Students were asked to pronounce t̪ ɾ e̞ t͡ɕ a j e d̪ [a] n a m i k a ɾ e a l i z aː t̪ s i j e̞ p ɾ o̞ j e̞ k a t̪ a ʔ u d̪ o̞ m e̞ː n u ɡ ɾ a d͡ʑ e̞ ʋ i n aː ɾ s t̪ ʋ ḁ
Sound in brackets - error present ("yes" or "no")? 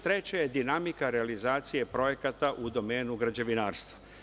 yes